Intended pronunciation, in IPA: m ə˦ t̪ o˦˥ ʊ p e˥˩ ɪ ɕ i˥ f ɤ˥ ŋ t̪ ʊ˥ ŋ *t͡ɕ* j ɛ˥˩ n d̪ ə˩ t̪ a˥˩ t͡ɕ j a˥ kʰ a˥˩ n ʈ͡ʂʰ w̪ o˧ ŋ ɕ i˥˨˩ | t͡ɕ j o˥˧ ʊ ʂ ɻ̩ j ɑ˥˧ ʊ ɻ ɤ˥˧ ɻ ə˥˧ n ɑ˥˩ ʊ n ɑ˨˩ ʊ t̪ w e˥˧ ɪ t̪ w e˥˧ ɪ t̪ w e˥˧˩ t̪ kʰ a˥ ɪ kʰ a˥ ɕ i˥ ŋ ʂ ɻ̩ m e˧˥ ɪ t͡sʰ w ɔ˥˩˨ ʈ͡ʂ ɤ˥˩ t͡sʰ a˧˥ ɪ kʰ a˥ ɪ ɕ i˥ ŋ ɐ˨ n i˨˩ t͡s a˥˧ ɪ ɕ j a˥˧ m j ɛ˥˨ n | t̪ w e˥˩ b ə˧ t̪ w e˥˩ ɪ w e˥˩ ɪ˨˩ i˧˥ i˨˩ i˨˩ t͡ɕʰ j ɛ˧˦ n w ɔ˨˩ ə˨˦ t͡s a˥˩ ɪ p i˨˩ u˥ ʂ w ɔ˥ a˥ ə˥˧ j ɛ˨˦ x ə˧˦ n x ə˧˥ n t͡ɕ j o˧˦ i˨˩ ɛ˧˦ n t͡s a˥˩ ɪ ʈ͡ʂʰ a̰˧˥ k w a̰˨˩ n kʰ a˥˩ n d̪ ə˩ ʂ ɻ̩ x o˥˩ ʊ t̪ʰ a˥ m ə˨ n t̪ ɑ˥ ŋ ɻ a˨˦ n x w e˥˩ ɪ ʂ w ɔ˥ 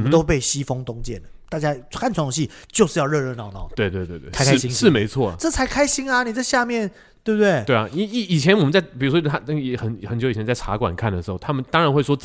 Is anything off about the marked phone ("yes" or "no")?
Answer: no